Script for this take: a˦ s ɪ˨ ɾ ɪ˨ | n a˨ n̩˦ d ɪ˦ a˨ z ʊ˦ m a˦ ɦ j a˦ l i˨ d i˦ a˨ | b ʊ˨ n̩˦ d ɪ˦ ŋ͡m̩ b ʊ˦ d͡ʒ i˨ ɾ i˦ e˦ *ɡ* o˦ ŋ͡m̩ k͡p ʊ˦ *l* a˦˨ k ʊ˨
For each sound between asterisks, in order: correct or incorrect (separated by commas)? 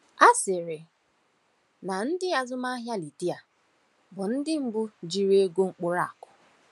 correct, incorrect